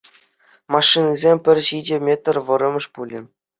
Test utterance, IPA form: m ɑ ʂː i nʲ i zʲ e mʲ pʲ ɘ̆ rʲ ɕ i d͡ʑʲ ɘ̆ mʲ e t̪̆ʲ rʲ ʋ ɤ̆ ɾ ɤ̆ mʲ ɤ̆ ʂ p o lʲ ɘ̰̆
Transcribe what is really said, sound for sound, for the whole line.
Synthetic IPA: m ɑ ʂː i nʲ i zʲ e mʲ pʲ ɘ̆ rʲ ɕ i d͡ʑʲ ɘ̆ mʲ e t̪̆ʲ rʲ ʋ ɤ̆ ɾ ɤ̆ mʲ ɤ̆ ʂ p u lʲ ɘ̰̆